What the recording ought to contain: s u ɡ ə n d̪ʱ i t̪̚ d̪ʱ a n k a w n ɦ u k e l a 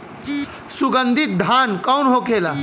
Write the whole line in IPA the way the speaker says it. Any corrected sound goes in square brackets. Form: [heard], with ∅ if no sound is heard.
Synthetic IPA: s u ɡ ə n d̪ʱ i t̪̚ d̪ʱ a n k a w n ɦ [o] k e l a

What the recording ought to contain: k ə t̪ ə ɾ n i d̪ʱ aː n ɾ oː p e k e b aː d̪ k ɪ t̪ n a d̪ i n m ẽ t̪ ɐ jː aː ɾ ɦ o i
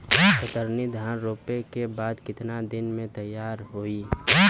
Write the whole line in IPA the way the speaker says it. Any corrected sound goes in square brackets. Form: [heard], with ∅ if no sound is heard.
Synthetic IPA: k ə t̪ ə ɾ n i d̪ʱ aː n ɾ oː p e k e b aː d̪ k ɪ t̪ n a d̪ [ɪ] n m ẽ t̪ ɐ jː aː ɾ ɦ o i

